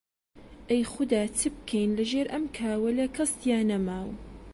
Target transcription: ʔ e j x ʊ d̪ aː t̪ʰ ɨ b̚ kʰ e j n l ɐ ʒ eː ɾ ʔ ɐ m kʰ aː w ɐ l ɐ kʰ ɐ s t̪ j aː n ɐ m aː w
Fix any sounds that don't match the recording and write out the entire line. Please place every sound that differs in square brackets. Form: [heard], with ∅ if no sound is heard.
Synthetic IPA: ʔ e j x ʊ d̪ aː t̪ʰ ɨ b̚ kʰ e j n l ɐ ʒ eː ɾ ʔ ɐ m kʰ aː w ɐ l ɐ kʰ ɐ s t̪ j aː n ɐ m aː w